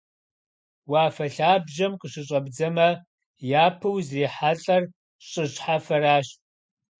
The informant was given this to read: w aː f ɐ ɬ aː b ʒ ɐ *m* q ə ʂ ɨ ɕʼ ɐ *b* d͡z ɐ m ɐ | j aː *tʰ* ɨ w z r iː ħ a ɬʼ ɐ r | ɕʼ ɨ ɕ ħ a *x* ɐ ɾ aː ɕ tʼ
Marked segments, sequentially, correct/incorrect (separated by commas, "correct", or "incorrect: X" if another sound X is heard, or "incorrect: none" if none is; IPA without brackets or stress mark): correct, correct, incorrect: pʰ, incorrect: f